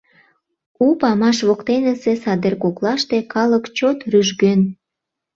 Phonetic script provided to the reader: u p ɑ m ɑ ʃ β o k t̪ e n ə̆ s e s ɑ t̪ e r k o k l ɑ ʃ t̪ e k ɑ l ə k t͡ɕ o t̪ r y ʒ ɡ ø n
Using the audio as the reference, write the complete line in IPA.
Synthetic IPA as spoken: u p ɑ m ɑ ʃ β o k t̪ e n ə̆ s e s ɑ d̪ e r k o k l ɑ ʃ t̪ e k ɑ l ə k t͡ɕ o t̪ r y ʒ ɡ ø n